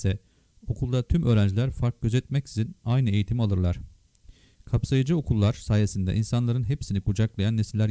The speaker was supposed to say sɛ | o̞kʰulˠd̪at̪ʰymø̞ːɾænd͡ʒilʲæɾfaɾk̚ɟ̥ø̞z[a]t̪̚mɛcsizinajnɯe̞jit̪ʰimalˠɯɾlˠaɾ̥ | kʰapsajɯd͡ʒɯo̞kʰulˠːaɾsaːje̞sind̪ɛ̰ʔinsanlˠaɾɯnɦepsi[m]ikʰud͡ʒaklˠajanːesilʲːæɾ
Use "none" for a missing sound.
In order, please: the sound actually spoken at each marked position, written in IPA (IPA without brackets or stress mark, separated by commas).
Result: ɛ, n